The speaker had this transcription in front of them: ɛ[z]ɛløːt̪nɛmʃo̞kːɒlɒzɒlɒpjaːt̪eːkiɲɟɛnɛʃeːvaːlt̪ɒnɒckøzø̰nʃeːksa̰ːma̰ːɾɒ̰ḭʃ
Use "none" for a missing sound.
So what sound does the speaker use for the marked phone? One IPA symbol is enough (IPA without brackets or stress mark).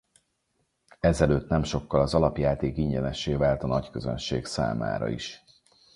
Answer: z